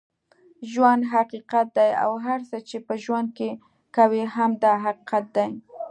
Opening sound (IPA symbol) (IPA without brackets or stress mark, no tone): ʒ